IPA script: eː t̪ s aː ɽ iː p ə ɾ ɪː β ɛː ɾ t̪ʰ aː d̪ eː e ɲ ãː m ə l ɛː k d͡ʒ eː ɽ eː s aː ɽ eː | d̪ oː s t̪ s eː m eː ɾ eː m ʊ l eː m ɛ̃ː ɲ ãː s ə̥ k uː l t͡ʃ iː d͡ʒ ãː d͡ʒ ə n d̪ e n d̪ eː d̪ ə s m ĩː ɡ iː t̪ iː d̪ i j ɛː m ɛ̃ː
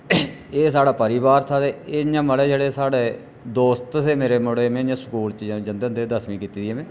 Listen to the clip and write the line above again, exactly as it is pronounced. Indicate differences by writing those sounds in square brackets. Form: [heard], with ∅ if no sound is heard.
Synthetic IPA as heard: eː [∅] s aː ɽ [aː] p ə ɾ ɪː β [aː] ɾ t̪ʰ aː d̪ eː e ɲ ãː m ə l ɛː [∅] d͡ʒ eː ɽ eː s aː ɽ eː | d̪ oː s t̪ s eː m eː ɾ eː m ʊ [ɽ] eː m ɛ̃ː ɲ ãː s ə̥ k uː l t͡ʃ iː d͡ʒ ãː d͡ʒ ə n d̪ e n d̪ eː d̪ ə s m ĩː [k] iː t̪ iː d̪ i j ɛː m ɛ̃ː